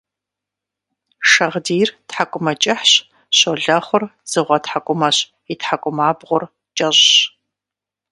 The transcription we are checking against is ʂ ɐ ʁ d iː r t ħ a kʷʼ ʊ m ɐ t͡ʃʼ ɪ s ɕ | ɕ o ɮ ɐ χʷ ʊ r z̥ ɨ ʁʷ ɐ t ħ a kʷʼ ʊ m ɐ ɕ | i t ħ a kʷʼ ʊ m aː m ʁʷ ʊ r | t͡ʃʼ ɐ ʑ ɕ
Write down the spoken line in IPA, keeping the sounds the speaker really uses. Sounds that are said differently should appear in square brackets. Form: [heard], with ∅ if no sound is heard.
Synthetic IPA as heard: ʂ ɐ ʁ d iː r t ħ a kʷʼ ʊ m ɐ t͡ʃʼ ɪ [ħ] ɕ | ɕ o ɮ ɐ χʷ ʊ r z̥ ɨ ʁʷ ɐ t ħ a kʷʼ ʊ m ɐ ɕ | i t ħ a kʷʼ ʊ m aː [b] ʁʷ ʊ r | t͡ʃʼ ɐ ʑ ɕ